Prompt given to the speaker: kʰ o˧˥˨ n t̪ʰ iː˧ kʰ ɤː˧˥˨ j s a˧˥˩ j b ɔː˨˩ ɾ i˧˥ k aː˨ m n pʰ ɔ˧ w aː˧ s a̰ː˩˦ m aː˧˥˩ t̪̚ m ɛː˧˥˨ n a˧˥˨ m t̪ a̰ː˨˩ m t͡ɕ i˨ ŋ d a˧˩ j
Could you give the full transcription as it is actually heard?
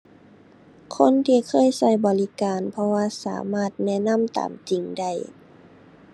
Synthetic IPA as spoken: kʰ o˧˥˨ n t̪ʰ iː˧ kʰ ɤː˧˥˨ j s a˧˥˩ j b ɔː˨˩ l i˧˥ k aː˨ n pʰ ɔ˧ w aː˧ s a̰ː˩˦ m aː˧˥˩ t̪̚ n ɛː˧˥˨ n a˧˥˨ m t̪ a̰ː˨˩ m t͡ɕ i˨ ŋ d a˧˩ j

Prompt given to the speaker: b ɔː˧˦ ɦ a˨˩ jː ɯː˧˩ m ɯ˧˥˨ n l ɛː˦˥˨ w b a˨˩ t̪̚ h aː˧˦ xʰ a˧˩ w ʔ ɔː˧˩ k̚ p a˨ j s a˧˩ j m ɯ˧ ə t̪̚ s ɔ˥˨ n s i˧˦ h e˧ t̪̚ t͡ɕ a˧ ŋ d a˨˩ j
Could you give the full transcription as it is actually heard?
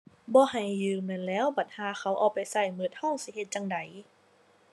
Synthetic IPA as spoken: b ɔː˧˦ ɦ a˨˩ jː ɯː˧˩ m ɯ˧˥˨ n l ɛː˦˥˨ w b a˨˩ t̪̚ h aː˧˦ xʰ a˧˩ w ʔ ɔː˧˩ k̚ p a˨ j s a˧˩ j m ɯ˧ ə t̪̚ h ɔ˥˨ ŋ s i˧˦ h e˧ t̪̚ t͡ɕ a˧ ŋ d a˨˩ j

